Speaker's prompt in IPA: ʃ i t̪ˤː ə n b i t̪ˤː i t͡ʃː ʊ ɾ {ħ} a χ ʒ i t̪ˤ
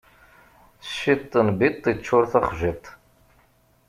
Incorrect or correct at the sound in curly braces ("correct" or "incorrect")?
incorrect